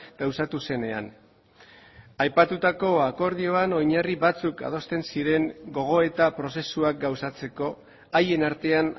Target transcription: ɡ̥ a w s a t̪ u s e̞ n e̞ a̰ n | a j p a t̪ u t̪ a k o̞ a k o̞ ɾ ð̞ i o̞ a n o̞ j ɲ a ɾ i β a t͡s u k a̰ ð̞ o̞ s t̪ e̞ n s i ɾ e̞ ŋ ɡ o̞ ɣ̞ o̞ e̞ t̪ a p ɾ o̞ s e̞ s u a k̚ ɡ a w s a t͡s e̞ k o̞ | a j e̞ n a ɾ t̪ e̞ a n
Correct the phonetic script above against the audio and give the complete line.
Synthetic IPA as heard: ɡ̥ a w s a t̪ u s e̞ n e̞ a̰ n | a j p a t̪ u t̪ a k o̞ a k o̞ ɾ ð̞ i o̞ a n o̞ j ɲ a r i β a t͡s u k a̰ ð̞ o̞ s t̪ e̞ n s i ɾ e̞ ŋ ɡ o̞ ɣ̞ o̞ e̞ t̪ a p ɾ o̞ s e̞ s u a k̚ ɡ a w s a t͡s e̞ k o̞ | a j e̞ n a ɾ t̪ e̞ a n